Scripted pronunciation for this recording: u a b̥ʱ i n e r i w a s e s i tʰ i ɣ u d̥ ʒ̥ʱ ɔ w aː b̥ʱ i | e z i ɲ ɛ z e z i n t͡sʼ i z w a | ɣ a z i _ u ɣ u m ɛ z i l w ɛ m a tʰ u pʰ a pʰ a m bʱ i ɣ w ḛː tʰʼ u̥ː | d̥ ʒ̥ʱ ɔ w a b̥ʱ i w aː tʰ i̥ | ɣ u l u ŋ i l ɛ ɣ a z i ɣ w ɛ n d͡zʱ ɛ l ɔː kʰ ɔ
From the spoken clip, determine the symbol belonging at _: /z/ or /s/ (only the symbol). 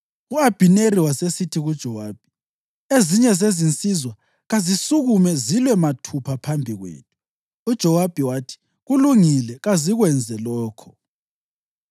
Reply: s